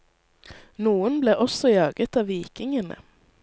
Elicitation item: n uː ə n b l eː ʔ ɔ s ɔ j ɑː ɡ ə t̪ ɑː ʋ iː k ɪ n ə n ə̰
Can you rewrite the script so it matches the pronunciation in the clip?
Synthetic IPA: n uː ə n b l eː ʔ ɔ s ɔ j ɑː ɡ ə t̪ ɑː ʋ iː k ɪ ŋ ə n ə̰